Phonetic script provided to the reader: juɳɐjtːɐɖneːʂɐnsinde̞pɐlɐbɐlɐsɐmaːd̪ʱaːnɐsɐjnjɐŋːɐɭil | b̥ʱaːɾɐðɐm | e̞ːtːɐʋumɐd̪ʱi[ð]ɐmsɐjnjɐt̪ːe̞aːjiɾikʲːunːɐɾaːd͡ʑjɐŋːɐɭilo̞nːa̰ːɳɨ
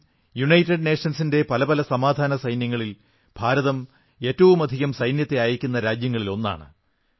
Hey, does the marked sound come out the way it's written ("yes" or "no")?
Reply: no